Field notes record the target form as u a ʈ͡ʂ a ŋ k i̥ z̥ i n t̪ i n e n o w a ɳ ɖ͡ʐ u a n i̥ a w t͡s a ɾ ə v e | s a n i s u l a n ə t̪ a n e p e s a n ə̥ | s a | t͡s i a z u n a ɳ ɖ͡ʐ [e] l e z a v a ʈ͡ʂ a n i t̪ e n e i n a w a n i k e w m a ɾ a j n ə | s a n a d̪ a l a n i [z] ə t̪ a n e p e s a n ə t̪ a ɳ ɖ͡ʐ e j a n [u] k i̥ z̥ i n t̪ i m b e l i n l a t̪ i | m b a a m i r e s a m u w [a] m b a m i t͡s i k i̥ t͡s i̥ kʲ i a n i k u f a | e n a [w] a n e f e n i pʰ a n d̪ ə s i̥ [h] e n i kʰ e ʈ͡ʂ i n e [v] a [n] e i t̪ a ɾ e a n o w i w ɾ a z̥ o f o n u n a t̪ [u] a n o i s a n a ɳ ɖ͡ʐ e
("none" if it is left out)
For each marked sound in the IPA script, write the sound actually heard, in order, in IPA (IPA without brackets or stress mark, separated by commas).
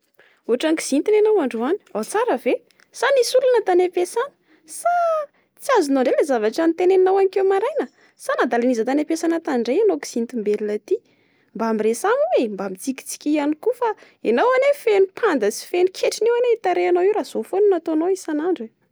e, z, o, e, w, f, w, n, o